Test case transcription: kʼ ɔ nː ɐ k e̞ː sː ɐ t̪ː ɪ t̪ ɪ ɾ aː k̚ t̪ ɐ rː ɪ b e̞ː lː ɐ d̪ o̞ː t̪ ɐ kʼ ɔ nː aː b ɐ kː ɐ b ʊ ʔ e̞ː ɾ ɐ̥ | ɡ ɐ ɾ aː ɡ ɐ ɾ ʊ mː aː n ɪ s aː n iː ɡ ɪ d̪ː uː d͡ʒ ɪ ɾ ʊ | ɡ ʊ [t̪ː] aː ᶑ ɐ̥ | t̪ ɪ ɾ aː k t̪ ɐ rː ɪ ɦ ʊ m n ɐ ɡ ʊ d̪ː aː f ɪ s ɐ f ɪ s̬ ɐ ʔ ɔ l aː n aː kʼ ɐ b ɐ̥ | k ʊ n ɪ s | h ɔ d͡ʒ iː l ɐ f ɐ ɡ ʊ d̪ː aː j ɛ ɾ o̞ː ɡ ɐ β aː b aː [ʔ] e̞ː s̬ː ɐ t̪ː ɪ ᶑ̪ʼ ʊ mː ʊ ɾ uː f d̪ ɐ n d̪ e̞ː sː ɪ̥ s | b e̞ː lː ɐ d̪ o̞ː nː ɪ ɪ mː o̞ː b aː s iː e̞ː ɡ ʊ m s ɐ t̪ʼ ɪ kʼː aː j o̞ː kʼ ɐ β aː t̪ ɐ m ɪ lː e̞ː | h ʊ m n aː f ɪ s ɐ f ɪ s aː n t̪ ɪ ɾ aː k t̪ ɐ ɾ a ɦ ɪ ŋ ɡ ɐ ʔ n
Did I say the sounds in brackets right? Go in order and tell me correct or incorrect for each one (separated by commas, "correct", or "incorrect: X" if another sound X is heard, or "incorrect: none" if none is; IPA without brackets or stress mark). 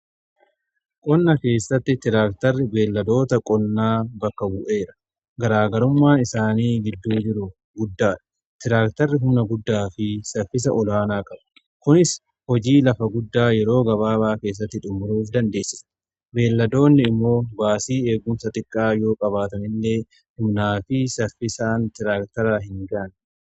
incorrect: d̪ː, incorrect: k